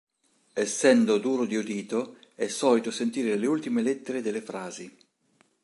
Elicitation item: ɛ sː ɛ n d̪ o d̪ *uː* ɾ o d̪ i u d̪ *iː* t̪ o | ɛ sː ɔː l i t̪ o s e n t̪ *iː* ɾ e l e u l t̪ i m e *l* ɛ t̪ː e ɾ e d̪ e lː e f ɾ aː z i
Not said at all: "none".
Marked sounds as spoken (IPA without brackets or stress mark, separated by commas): uː, iː, iː, l